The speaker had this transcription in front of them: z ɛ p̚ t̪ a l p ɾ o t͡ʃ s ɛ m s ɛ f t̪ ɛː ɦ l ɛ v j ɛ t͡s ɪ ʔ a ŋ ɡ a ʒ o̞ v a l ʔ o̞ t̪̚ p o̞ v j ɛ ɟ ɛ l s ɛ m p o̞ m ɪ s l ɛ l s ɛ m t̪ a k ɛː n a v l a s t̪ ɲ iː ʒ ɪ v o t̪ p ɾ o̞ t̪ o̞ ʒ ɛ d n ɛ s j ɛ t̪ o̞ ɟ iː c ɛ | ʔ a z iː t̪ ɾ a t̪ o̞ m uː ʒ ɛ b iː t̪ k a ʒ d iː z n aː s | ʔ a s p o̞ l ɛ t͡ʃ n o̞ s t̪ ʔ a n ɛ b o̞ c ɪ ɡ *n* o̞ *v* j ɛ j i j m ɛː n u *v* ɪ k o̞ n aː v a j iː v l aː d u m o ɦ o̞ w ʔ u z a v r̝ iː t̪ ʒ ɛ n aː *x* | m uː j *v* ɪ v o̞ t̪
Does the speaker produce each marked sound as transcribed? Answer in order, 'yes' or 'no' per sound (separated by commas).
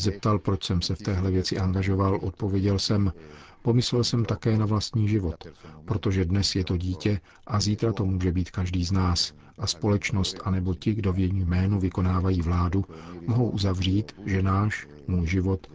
no, yes, yes, no, no